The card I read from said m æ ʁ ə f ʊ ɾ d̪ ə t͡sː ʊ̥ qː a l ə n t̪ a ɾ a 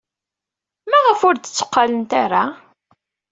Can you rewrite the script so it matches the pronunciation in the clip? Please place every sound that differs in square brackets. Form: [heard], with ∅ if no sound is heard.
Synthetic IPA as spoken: m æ ʁ ə f ʊ ɾ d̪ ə t͡sː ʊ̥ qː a l ə n t̪ a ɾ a